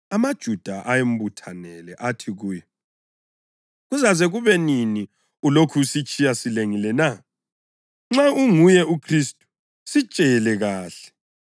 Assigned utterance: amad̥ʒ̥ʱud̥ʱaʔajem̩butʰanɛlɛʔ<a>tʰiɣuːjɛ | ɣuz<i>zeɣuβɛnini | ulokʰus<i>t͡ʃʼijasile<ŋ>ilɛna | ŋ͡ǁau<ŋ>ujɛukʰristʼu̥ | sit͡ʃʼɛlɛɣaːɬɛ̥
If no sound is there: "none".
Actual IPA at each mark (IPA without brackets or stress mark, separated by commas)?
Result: a, a, i, ŋ, ŋ